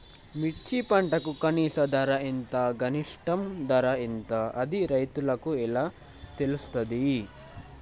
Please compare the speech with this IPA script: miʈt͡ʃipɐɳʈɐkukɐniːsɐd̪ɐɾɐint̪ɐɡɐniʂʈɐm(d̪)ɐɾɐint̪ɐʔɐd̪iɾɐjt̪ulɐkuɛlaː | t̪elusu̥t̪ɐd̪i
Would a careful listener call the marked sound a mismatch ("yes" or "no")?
no